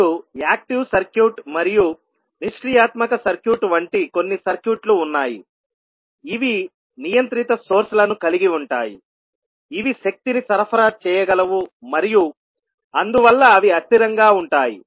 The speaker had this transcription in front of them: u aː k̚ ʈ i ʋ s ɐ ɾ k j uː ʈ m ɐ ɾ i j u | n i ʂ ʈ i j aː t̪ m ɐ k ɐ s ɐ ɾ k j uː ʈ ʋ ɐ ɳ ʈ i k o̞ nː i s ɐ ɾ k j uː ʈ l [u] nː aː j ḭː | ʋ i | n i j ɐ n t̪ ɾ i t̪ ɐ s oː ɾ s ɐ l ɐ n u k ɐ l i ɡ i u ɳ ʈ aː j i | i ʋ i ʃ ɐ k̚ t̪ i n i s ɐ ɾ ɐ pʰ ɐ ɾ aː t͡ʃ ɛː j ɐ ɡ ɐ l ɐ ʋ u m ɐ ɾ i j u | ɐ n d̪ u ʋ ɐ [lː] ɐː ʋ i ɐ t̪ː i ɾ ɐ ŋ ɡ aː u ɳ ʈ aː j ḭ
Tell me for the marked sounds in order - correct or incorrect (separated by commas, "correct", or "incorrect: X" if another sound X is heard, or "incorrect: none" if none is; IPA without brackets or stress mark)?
incorrect: uː, correct